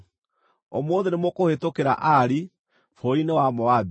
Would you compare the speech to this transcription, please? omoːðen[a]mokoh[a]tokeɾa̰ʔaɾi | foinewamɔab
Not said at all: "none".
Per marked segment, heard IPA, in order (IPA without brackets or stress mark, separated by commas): e, e